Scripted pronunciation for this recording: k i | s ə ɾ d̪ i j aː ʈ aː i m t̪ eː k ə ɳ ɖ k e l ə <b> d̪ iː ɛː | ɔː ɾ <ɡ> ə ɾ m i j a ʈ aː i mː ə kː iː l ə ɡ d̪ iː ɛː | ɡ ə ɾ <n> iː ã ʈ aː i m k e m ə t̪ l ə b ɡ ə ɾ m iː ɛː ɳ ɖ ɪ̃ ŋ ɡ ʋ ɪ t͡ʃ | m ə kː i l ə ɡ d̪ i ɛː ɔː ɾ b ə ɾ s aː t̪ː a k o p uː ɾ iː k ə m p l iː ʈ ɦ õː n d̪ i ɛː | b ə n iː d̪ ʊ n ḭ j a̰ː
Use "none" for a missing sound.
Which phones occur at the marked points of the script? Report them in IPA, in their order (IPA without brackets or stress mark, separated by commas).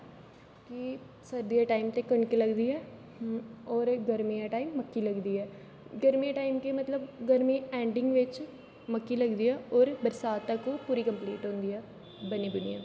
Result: ɡ, ɡ, m